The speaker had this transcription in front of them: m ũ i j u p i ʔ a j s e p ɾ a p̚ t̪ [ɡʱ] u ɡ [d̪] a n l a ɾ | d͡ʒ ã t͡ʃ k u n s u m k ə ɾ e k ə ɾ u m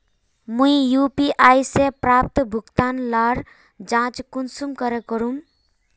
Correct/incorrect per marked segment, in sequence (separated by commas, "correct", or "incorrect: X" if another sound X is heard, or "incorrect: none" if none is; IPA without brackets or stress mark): incorrect: bʱ, incorrect: t̪